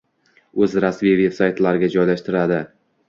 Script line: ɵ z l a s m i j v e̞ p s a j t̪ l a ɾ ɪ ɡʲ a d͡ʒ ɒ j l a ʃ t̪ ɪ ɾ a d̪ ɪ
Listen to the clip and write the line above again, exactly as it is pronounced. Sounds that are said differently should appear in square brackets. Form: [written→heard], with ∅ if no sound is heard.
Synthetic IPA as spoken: ɵ z [l→ɾ] a s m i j v e̞ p s a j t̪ l a ɾ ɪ ɡʲ a d͡ʒ ɒ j l a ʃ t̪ ɪ ɾ a d̪ ɪ